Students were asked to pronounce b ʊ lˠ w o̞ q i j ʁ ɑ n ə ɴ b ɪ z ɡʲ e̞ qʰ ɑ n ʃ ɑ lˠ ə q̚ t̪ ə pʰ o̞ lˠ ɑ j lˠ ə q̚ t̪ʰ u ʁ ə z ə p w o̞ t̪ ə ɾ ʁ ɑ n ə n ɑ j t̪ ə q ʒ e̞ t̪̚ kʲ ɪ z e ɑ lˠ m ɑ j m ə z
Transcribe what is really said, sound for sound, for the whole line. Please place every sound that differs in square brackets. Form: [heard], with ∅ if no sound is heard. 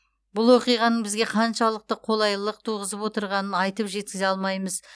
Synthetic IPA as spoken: b ʊ lˠ w o̞ q i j ʁ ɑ n ə ɴ b ɪ z ɡʲ e̞ qʰ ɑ n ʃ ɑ lˠ ə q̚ t̪ ə [qʰ] o̞ lˠ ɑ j lˠ ə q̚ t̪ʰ u ʁ ə z ə p w o̞ t̪ ə ɾ ʁ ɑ n ə n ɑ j t̪ ə [p] ʒ e̞ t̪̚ kʲ ɪ z e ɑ lˠ m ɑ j m ə z